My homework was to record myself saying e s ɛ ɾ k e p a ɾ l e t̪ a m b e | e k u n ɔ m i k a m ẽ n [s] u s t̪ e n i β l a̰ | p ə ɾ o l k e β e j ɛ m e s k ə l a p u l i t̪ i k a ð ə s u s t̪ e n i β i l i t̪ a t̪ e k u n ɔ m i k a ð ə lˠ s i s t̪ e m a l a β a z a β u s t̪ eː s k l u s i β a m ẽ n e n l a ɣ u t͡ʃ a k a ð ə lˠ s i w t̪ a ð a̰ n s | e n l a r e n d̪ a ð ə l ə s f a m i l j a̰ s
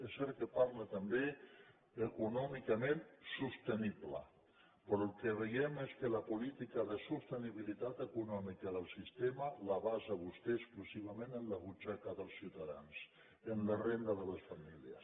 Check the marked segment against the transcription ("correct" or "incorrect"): correct